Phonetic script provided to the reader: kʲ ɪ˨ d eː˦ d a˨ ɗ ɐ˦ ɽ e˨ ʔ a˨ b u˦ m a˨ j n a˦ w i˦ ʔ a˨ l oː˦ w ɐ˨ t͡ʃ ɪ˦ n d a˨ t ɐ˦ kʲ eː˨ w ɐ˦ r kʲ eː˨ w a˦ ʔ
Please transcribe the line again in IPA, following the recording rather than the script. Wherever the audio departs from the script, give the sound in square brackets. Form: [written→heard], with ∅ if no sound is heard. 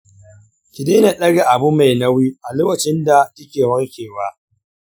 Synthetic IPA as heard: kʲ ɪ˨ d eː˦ [d→n] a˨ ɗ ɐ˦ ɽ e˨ ʔ a˨ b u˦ m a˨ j n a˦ w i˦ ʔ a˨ l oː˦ w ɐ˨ t͡ʃ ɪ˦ n d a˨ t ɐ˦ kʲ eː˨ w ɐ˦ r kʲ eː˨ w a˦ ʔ